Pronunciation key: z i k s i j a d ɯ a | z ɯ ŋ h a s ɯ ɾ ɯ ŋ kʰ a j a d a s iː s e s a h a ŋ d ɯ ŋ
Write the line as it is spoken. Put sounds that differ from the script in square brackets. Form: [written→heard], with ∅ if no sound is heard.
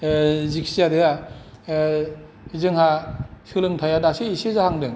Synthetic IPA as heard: z i k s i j a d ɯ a | z ɯ ŋ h a s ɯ [ɾ→l] ɯ ŋ [kʰ→tʰ] a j a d a s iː s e [s→z] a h a ŋ d ɯ ŋ